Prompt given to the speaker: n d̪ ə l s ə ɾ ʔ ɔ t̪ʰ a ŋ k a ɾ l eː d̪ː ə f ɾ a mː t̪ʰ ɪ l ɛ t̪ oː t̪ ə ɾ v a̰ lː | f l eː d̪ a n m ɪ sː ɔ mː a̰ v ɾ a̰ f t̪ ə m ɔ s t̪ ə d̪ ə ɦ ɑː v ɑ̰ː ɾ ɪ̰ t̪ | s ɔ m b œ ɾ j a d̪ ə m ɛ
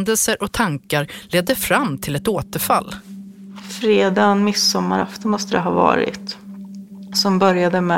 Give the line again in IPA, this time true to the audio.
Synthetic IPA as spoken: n d̪ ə l s ə ɾ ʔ ɔ t̪ʰ a ŋ k a ɾ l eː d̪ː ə f ɾ a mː t̪ʰ ɪ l ɛ t̪ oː t̪ ə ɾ f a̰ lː | f ɾ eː d̪ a n m ɪ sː ɔ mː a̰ ɾ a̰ f t̪ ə m ɔ s t̪ ə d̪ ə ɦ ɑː v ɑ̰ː ɾ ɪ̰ t̪ | s ɔ m b œ ɾ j a d̪ ə m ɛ